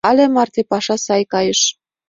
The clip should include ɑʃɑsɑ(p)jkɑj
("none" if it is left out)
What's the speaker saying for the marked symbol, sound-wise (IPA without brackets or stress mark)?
none